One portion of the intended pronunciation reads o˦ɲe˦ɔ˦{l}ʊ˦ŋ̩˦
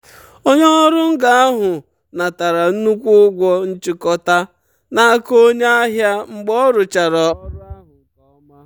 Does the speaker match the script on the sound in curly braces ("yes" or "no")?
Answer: no